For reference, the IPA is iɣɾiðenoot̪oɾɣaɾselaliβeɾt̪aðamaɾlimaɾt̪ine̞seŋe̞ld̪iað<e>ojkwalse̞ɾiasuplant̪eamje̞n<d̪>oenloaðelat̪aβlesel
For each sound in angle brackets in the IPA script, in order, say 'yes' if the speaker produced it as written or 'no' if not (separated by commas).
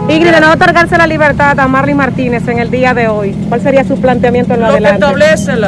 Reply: yes, no